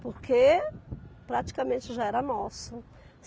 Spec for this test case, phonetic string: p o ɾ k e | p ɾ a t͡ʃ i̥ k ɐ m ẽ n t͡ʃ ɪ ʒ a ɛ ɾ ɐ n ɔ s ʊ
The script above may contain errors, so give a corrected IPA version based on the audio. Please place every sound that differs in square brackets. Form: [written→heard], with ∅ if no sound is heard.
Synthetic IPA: p o ɾ k e | p ɾ a t͡ʃ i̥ k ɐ m ẽ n t͡ʃ ɪ ʒ a ɛ ɾ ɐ n ɔ s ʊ